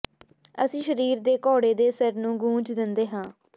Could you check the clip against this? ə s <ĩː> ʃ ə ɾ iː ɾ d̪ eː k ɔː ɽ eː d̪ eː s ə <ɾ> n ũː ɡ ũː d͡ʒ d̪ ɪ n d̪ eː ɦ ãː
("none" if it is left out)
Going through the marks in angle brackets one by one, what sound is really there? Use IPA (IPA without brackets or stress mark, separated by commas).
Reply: ĩː, ɾ